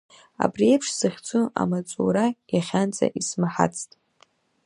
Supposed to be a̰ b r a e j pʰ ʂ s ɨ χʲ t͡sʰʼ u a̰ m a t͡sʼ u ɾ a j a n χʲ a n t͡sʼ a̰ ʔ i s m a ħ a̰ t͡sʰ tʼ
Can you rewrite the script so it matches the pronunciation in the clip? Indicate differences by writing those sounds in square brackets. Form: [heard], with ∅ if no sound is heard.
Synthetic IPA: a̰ b r [i] e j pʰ ʂ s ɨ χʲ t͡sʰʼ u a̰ m a t͡sʼ u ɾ a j a [∅] χʲ a n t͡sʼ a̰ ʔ i s m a ħ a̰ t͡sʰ tʼ